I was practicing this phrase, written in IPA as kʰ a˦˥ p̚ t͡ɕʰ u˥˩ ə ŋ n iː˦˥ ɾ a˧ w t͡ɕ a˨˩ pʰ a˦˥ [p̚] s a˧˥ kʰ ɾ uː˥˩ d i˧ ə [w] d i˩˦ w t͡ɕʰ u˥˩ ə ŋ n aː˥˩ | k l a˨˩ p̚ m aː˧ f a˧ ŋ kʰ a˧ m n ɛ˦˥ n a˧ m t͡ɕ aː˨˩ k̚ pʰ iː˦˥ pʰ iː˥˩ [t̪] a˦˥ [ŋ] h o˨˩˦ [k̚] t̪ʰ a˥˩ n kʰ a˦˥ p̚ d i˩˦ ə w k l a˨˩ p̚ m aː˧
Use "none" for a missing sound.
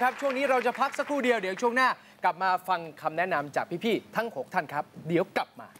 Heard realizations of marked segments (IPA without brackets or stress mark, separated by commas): k̚, w, t̪ʰ, ŋ, k̚